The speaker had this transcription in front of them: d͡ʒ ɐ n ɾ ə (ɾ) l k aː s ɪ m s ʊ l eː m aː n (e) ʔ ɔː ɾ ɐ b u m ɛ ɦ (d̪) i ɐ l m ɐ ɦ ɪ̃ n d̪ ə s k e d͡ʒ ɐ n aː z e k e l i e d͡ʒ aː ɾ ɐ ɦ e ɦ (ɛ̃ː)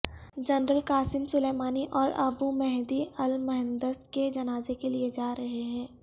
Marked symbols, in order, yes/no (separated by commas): no, no, yes, yes